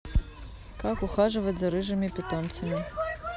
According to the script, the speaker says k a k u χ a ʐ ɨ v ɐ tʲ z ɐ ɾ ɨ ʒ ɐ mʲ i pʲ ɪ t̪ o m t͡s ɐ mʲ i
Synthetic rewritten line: k a k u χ a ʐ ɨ v ɐ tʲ z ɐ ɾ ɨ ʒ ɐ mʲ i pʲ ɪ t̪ o m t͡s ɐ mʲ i

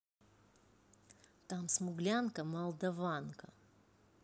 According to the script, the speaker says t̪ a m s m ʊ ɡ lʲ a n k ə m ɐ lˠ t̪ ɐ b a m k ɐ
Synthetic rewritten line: t̪ a m s m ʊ ɡ lʲ a n k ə m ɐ lˠ d̪ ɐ v a n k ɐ

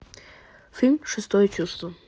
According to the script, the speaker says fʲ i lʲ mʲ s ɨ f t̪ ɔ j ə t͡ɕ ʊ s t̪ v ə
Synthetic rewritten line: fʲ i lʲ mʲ ʂ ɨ s t̪ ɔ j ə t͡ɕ u s t̪ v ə

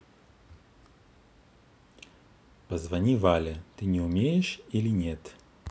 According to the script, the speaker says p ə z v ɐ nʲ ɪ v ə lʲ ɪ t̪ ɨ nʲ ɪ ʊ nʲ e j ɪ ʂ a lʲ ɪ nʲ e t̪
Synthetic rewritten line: p ə z v ɐ nʲ i v a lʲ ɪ t̪ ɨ nʲ ɪ ʊ mʲ e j ɪ ʂ i lʲ ɪ nʲ e t̪

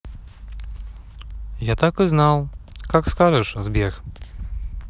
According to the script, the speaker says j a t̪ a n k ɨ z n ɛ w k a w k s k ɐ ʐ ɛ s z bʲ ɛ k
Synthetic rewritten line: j a t̪ a k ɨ z n a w k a k s k a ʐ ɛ ʂ z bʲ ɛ x

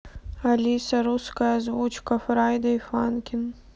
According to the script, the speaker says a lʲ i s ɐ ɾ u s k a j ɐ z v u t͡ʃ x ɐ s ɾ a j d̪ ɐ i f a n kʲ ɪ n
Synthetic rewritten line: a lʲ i s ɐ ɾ u s k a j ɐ z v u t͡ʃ k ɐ f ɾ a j d̪ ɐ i f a n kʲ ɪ n

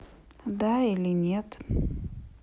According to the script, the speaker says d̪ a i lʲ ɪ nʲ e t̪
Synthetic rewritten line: d̪ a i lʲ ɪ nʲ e t̪

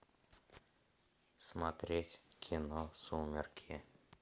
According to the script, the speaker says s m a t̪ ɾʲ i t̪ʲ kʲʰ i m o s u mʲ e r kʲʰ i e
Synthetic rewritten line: s m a t̪ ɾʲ e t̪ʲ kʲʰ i n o s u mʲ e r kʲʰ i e

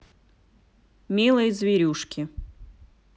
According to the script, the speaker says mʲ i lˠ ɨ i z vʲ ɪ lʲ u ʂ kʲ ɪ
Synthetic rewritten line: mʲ i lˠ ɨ j z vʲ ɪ ɾʲ u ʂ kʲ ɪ

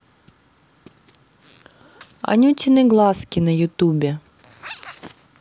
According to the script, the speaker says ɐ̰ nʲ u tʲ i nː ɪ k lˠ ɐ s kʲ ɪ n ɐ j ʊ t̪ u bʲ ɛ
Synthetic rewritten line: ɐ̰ nʲ u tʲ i n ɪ ɡ lˠ ɑ s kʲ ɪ n ɐ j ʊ t̪ u bʲ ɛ

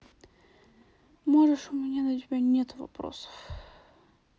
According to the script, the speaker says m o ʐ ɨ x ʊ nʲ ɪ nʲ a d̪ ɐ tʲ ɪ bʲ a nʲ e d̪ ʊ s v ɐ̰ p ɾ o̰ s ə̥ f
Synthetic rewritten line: m o ʐ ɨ ʂ ʊ mʲ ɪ nʲ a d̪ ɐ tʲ ɪ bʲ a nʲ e t̪ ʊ v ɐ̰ p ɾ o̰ s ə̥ f

